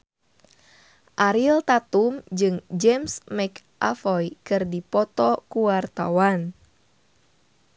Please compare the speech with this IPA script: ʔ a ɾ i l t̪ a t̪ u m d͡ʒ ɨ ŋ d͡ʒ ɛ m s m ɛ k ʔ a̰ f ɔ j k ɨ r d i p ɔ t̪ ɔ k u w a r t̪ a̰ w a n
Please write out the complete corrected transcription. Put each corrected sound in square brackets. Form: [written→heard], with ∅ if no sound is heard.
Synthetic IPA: ʔ a ɾ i l t̪ a t̪ u m d͡ʒ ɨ ŋ d͡ʒ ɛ m s m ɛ k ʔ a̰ f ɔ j k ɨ r d i p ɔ t̪ ɔ k u w a r t̪ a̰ w a n